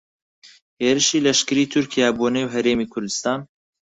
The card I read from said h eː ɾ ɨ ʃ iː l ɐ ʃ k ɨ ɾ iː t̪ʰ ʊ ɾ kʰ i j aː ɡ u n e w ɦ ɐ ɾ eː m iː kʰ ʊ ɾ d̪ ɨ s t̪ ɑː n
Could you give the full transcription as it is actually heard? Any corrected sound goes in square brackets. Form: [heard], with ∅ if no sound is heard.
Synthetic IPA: h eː ɾ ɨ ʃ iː l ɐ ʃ k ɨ ɾ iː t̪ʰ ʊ ɾ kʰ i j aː [b] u n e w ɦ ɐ ɾ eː m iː kʰ ʊ ɾ d̪ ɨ s t̪ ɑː n